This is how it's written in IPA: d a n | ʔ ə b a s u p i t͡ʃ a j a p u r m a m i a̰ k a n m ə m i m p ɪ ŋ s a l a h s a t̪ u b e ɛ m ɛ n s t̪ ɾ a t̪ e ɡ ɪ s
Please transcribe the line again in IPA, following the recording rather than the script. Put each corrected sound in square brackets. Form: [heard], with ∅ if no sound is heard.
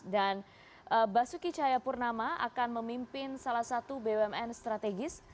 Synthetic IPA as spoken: d a n | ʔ ə b a s u [k] i t͡ʃ a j a p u r [n] a m [a] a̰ k a n m ə m i m p ɪ [n] s a l a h s a t̪ u b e ɛ m ɛ n s t̪ ɾ a t̪ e ɡ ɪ s